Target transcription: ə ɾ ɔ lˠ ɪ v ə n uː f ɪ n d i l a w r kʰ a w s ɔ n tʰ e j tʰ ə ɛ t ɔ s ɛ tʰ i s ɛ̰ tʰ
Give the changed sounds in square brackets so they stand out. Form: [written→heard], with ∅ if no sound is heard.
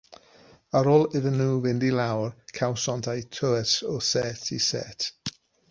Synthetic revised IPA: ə ɾ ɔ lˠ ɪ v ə n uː [f→v] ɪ n d i l a w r kʰ a w s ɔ n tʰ [e→a] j tʰ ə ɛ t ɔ s ɛ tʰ i s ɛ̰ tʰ